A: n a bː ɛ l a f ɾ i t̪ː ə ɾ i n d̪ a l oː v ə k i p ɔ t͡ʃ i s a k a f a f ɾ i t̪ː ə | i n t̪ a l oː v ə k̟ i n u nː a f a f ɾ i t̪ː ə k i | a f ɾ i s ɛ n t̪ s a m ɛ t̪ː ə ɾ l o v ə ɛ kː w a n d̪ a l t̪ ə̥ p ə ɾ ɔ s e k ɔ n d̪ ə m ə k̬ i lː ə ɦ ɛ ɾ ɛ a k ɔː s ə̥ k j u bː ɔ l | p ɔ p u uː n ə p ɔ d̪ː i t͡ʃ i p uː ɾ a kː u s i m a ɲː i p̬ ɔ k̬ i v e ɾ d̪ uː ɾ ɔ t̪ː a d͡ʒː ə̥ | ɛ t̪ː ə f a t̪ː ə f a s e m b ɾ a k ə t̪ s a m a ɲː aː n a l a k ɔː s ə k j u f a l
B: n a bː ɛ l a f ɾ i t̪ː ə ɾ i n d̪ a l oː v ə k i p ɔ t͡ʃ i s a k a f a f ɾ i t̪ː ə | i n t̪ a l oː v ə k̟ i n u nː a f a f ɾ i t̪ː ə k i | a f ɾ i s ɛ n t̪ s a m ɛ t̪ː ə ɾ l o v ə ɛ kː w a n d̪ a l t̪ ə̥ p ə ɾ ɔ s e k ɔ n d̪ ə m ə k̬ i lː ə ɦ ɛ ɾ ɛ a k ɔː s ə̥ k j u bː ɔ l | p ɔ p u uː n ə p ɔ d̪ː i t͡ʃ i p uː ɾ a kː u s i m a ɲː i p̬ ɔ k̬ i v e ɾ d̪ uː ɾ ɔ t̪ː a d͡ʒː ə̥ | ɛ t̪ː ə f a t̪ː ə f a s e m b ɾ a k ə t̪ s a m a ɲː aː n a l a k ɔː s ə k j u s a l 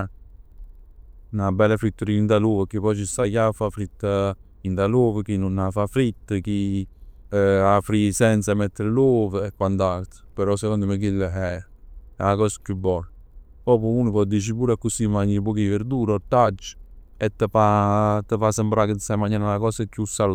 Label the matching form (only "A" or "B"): B